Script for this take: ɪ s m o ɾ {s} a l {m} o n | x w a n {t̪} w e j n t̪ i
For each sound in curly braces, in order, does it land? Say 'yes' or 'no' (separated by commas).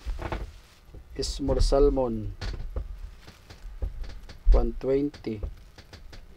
yes, yes, yes